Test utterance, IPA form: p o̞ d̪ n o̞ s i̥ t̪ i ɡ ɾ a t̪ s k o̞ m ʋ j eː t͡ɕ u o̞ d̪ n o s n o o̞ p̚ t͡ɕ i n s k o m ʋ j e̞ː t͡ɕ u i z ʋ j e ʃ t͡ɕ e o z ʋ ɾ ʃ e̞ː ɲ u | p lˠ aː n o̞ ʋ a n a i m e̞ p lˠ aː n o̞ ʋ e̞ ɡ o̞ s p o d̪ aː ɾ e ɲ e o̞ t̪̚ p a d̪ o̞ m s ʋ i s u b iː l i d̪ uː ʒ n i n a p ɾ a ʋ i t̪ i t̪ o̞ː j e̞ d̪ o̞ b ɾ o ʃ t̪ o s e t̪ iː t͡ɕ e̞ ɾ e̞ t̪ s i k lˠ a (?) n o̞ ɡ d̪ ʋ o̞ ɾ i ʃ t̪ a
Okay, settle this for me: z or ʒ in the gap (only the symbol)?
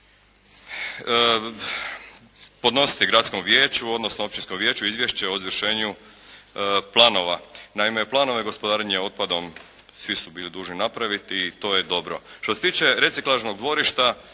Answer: ʒ